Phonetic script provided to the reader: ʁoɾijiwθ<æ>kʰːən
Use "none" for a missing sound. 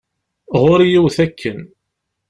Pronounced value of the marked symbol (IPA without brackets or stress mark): æ